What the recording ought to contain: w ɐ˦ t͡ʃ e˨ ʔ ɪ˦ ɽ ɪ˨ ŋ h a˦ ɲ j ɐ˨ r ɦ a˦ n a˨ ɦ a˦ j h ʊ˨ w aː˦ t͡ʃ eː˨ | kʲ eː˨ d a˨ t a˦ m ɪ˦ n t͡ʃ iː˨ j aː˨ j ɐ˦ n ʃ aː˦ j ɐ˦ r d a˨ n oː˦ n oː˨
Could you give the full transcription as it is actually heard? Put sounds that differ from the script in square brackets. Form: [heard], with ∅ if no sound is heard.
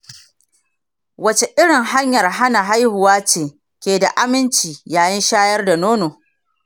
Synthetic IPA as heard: w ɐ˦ t͡ʃ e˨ ʔ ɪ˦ ɽ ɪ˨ ŋ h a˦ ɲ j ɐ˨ r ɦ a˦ n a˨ ɦ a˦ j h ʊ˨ w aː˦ t͡ʃ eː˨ | kʲ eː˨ d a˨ [ʔ] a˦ m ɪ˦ n t͡ʃ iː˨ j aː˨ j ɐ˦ n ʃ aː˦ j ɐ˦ r d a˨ n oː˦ n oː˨